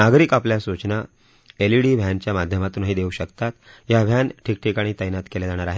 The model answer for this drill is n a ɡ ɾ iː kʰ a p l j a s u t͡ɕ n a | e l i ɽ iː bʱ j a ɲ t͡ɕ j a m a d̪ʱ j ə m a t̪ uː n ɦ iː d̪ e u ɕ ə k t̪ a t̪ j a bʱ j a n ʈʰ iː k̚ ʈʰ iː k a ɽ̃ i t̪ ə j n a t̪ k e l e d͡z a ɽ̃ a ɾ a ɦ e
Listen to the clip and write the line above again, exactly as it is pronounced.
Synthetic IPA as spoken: n a ɡ ɾ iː k a p l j a s u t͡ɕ n a | e l i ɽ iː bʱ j a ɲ t͡ɕ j a m a d̪ʱ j ə m a t̪ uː n ɦ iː d̪ e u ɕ ə k t̪ a t̪ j a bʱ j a n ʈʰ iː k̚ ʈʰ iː k a ɽ̃ i t̪ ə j n a t̪ k e l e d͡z a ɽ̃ a ɾ a ɦ e